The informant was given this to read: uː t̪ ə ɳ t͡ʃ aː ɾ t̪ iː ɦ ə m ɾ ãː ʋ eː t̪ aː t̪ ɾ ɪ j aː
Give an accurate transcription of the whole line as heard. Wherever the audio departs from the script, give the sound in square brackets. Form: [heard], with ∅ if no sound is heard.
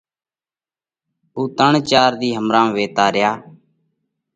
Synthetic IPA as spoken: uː t̪ ə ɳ t͡ʃ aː ɾ [d̪] iː ɦ ə m ɾ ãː ʋ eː t̪ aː [∅] ɾ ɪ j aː